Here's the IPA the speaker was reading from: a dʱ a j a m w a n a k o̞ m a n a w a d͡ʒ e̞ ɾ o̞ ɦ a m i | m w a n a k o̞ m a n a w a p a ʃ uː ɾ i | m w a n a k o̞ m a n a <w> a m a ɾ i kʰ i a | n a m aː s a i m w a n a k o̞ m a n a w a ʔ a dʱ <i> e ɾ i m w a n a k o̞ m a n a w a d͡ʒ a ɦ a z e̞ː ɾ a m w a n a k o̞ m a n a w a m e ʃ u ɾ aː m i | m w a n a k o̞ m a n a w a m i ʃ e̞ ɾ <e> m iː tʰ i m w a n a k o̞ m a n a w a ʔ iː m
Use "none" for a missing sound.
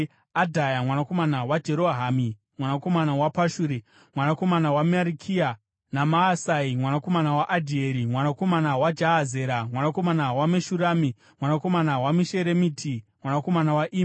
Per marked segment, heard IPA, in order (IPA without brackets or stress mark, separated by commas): w, i, e